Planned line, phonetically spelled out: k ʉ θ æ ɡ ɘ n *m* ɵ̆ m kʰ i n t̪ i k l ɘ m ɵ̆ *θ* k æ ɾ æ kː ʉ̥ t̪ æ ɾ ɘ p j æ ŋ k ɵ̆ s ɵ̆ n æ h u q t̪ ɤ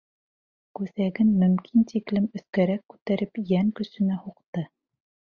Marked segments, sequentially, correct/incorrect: correct, correct

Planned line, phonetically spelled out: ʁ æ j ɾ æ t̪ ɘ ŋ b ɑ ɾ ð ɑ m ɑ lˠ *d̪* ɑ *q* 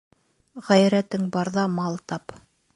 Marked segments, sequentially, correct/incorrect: incorrect: t̪, incorrect: p

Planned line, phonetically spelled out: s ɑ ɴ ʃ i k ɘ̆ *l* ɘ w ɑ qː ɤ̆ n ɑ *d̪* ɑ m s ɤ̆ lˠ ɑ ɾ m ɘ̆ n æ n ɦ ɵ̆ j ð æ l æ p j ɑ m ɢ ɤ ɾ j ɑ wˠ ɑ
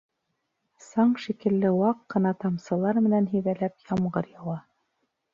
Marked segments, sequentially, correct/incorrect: incorrect: lː, incorrect: t̪

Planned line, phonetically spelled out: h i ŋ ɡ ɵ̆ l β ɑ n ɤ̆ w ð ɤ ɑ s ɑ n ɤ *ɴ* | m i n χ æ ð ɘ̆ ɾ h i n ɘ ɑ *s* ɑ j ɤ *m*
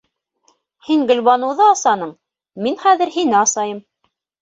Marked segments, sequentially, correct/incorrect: correct, correct, correct

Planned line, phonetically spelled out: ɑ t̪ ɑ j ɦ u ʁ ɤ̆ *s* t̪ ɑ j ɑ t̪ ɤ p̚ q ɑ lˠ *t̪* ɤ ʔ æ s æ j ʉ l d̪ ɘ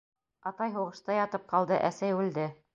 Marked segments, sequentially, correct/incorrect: incorrect: ʃ, incorrect: d̪

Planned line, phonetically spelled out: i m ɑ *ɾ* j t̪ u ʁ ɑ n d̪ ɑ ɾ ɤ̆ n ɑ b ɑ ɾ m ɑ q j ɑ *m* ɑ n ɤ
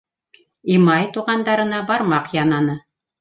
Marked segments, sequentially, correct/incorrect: incorrect: none, incorrect: n

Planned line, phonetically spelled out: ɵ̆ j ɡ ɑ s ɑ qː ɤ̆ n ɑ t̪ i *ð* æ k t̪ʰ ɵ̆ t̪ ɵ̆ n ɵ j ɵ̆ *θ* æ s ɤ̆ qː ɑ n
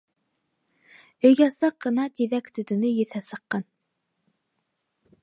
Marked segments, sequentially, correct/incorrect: correct, correct

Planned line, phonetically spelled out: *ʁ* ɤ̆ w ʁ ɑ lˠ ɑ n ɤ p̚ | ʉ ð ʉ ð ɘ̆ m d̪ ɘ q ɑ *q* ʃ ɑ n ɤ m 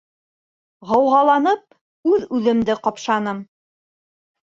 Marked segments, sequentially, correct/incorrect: correct, incorrect: p

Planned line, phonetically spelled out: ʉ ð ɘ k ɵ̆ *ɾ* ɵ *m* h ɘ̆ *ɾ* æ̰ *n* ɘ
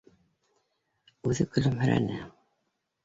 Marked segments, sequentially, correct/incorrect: incorrect: l, correct, correct, correct

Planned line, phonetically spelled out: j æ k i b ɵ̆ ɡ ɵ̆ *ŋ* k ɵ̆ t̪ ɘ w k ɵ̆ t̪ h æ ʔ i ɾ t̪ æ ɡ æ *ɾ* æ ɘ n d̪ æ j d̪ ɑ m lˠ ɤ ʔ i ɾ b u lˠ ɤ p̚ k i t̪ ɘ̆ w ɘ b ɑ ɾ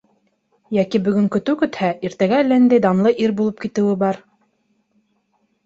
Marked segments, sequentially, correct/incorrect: correct, incorrect: l

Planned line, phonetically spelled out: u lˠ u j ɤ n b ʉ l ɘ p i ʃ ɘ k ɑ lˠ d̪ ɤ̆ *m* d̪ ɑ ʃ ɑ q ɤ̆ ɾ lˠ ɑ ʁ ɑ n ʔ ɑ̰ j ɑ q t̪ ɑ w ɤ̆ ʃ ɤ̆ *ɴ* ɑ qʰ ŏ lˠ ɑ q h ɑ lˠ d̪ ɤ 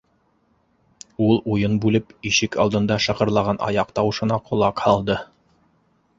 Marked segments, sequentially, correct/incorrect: incorrect: n, incorrect: n

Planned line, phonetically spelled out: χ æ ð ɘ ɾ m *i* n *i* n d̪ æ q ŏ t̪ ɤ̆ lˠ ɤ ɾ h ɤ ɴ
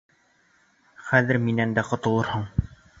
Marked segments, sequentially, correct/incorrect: correct, incorrect: æ

